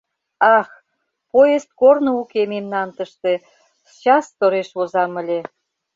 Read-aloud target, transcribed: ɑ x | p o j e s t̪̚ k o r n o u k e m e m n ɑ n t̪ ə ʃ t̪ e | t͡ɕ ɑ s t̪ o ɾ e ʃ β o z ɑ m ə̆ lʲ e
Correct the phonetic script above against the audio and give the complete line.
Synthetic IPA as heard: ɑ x | p o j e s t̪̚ k o r n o u k e m e m n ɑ n t̪ ə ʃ t̪ e | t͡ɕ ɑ s t̪ o ɾ e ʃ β o z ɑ m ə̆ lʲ e